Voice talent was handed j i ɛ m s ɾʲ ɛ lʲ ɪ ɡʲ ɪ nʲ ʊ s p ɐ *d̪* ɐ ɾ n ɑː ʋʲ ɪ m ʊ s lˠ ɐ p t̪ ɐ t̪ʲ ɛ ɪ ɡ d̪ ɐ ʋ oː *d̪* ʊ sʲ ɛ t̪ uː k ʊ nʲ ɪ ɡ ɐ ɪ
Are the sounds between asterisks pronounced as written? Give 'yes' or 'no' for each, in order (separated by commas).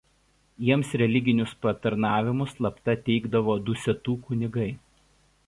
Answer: no, yes